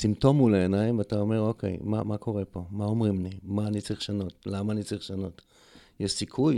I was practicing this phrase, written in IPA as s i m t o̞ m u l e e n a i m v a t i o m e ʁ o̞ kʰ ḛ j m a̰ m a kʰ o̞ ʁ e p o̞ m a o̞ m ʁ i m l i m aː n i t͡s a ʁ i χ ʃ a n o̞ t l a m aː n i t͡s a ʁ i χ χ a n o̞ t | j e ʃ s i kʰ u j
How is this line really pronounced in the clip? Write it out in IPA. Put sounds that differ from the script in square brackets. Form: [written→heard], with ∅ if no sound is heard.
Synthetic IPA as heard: s i m t o̞ m u l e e n a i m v a t [i→a] o m e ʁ o̞ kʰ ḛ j m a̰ m a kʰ o̞ ʁ e p o̞ m a o̞ m ʁ i m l i m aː n i t͡s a ʁ i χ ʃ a n o̞ t l a m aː n i t͡s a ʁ i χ [χ→ʃ] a n o̞ t | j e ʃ s i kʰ u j